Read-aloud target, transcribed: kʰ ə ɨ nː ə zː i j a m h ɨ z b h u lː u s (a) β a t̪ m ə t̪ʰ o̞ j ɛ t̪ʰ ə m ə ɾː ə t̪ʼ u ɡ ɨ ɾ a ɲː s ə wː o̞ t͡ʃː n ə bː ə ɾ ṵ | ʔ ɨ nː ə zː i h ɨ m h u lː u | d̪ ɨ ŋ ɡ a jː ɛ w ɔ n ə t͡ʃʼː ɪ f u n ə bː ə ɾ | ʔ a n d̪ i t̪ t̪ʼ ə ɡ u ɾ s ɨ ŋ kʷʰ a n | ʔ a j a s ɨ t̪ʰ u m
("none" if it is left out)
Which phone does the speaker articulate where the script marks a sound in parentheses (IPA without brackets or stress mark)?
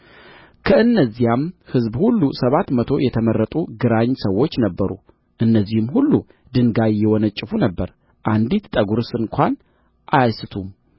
ə